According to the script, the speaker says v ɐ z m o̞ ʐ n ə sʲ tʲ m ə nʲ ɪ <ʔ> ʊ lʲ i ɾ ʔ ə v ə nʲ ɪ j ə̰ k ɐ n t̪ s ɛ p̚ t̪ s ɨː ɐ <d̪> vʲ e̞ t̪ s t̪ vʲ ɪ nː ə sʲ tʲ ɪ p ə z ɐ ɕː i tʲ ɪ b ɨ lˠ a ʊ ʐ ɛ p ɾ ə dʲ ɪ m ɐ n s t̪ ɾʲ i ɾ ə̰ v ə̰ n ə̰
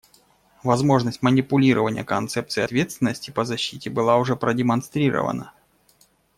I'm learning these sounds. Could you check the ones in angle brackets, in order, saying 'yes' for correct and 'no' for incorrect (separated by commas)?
no, no